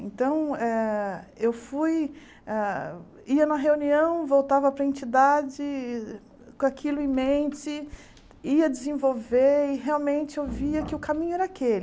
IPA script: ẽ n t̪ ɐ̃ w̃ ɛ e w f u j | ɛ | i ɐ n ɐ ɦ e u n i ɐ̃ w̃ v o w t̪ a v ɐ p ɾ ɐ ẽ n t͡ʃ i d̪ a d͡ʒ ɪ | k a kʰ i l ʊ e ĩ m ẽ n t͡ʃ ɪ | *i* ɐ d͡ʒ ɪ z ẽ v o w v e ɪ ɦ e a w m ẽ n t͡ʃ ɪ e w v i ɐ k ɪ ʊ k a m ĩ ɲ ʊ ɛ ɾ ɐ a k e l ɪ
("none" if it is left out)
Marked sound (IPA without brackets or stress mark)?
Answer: i